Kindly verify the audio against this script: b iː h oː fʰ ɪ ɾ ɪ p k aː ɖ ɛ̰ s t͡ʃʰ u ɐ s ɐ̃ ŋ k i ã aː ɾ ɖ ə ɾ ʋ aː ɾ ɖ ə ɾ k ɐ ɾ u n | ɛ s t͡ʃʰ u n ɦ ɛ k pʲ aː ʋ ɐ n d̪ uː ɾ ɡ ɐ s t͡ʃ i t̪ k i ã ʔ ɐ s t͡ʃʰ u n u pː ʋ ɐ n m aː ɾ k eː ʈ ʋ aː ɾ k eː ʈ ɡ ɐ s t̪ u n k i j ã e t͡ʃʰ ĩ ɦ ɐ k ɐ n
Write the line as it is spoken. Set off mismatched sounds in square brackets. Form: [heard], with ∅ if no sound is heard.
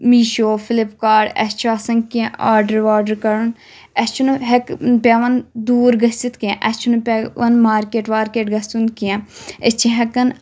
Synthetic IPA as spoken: [m] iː [ʃ] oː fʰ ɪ [l] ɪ p k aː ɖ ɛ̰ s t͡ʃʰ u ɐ s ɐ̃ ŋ k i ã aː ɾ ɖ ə ɾ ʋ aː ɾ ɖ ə ɾ k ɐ ɾ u n | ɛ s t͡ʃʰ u n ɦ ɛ k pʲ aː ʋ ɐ n d̪ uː ɾ ɡ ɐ s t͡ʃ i t̪ k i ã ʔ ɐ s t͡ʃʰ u n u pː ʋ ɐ n m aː ɾ k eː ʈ ʋ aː ɾ k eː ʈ ɡ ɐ s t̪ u n k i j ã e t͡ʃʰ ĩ ɦ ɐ k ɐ n